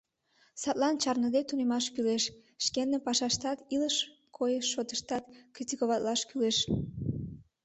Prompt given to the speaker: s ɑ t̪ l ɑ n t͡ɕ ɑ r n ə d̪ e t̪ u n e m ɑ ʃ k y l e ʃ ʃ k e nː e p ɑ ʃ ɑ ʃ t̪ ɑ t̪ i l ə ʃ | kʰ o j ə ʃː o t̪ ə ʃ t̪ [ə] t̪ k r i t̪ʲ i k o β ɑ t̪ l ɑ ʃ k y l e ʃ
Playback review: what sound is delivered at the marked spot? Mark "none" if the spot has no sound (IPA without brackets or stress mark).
ɑ